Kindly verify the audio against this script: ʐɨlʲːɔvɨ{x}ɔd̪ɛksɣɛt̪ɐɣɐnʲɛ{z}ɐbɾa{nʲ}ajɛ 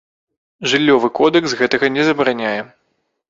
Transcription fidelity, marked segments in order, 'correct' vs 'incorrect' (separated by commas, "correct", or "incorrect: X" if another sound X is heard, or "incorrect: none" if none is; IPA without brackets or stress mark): incorrect: k, correct, correct